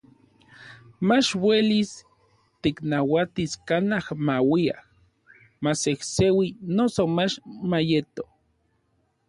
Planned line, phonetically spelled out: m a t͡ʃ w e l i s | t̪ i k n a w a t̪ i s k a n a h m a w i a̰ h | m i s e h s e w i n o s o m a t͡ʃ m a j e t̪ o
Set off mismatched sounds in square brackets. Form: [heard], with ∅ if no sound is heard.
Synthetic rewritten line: m a t͡ʃ w e l i s | t̪ i k n a w a t̪ i s k a n a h m a w i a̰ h | m [a] s e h s e w i n o s o m a t͡ʃ m a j e t̪ o